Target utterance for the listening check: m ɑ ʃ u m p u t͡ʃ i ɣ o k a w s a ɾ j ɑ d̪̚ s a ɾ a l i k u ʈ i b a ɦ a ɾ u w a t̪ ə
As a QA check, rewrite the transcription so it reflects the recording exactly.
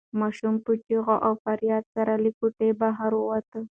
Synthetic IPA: m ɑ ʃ u m p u t͡ʃ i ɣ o ʔ a w f a ɾ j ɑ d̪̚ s a ɾ a l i k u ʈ e b a ɦ a ɾ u w a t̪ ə